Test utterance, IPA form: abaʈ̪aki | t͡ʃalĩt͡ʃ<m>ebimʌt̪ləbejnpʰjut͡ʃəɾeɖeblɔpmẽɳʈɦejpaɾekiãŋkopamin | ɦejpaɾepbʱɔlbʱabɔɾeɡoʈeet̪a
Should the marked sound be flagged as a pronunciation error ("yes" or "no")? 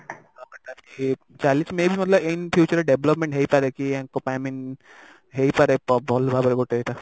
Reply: no